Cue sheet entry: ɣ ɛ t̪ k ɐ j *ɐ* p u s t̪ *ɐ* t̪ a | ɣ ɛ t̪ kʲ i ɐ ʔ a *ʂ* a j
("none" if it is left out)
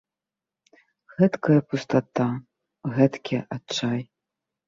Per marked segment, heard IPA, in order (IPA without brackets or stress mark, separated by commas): ɐ, a, t͡ʂ